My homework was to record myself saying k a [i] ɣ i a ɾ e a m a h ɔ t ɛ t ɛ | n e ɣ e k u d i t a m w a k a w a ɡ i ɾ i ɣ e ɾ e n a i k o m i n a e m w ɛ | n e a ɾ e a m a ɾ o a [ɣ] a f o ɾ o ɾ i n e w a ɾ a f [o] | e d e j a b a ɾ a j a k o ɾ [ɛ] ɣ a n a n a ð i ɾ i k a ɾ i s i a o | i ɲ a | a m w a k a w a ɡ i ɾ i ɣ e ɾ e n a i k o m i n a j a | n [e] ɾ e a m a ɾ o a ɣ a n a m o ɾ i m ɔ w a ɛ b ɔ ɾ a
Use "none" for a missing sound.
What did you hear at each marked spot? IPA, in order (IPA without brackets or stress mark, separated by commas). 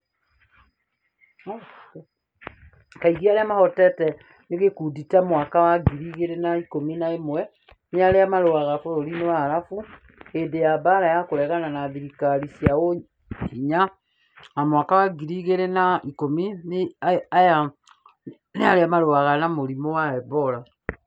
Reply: i, ɣ, u, ɛ, a